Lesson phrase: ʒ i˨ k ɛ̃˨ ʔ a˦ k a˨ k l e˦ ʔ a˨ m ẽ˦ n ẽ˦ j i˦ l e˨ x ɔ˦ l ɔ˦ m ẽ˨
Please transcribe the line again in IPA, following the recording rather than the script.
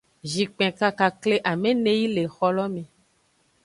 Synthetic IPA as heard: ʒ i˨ k͡p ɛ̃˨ k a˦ k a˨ k l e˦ ʔ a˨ m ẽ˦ n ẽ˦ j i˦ l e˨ x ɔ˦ l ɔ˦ m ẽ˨